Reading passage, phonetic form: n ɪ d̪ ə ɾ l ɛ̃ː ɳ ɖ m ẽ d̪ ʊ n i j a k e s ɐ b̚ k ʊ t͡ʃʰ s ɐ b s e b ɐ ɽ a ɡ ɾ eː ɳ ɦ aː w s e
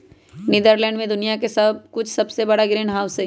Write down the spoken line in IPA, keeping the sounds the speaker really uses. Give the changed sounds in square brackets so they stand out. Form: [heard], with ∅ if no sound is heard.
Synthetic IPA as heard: n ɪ d̪ ə ɾ l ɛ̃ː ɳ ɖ m ẽ d̪ ʊ n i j a k e s ɐ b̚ k ʊ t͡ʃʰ s ɐ b s e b ɐ ɽ a ɡ ɾ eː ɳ ɦ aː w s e